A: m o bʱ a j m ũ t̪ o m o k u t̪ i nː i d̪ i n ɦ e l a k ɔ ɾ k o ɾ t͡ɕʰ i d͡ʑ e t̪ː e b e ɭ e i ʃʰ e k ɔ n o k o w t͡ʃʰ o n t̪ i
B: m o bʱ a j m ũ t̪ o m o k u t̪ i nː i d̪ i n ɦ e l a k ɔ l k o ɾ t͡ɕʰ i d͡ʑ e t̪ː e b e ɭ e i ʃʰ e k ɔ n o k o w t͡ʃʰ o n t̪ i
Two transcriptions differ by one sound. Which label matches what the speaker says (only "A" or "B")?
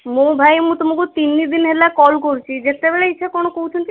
B